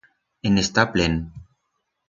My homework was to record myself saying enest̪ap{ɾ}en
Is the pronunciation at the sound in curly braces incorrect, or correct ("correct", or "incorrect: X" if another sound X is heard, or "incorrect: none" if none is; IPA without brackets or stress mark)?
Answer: incorrect: l